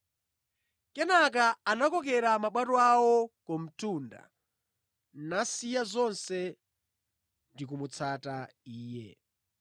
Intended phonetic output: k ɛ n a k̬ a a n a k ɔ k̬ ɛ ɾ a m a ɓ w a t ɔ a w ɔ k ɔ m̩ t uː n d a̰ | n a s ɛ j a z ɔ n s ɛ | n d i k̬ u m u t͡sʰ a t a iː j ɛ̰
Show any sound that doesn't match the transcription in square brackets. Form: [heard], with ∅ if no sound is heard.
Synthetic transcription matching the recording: k ɛ n a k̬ a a n a k ɔ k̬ ɛ ɾ a m a ɓ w a t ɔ a w ɔ k ɔ m̩ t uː n d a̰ | n a s [i] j a z ɔ n s ɛ | n d i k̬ u m u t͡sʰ a t a iː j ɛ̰